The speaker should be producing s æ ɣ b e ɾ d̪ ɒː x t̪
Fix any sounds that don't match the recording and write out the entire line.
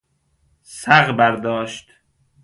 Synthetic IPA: s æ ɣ b æ ɾ d̪ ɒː ʃ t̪